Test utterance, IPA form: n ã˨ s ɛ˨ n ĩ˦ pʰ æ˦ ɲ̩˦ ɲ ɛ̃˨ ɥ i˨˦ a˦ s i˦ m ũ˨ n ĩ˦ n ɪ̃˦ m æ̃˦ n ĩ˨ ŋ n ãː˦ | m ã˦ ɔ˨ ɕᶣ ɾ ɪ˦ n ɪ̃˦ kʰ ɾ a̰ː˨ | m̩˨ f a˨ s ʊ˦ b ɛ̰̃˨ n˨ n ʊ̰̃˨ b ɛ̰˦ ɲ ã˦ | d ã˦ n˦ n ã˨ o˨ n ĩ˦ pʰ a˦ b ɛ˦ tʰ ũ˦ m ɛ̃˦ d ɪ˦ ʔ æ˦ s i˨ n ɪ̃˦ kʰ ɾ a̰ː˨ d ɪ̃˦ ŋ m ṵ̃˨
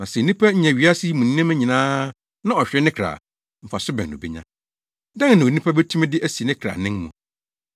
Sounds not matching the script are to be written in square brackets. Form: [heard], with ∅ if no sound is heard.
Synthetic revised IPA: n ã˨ s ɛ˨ n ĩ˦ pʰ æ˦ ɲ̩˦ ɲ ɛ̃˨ ɥ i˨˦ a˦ s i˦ m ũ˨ n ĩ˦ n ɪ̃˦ m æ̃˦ [ɲ] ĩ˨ [∅] n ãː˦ | [n] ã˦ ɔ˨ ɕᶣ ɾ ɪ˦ n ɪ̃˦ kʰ ɾ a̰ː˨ | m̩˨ f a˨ s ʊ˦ b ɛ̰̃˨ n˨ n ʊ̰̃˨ b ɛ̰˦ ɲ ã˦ | d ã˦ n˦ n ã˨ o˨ n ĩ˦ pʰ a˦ b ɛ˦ tʰ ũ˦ m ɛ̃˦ d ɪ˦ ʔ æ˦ s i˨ n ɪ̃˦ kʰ ɾ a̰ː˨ [n] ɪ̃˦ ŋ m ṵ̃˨